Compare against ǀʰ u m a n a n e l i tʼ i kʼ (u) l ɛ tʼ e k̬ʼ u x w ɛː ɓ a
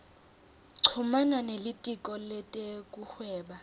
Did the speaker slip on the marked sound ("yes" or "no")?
yes